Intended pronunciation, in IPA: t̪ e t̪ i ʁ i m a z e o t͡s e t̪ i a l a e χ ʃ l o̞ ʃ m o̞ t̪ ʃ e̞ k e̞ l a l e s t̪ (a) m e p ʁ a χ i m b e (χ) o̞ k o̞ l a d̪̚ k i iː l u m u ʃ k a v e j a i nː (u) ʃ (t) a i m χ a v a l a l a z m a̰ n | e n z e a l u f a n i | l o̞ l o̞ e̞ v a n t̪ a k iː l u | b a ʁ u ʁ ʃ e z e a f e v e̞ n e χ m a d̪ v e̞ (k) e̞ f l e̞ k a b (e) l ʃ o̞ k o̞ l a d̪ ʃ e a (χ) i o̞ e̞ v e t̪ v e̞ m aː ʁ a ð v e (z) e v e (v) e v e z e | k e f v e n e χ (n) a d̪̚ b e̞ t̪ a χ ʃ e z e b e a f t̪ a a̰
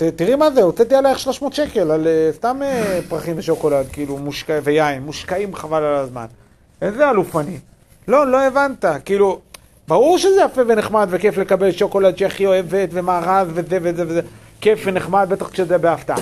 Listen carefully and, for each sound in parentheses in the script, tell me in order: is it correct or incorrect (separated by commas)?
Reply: correct, incorrect, correct, incorrect, correct, correct, correct, correct, incorrect, incorrect